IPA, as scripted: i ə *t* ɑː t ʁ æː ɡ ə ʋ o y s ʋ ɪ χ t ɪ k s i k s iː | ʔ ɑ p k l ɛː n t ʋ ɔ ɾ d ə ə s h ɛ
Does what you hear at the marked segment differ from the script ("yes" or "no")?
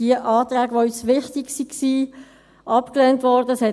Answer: yes